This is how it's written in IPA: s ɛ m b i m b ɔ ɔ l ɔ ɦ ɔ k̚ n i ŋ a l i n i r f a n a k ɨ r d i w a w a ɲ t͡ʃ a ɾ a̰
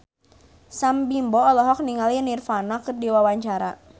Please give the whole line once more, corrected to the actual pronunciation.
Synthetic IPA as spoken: s a m b i m b ɔ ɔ l ɔ ɦ ɔ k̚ n i ŋ a l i n i r f a n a k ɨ r d i w a w a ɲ t͡ʃ a ɾ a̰